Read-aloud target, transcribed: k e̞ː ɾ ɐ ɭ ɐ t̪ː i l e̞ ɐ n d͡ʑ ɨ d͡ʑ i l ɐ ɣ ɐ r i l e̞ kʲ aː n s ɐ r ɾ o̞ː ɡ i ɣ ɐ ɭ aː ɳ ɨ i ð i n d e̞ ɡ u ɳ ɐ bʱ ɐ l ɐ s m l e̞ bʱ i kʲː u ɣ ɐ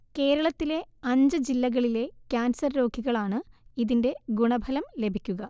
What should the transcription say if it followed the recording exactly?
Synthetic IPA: k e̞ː ɾ ɐ ɭ ɐ t̪ː i l e̞ ɐ ɲ d͡ʑ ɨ d͡ʑ i lː ɐ ɣ ɐ ɭ i l e̞ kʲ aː n s ɐ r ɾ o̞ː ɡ i ɣ ɐ ɭ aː ɳ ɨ i ð i n d e̞ ɡ u ɳ ɐ bʱ ɐ l ɐ m l e̞ bʱ i kʲː u ɣ ɐ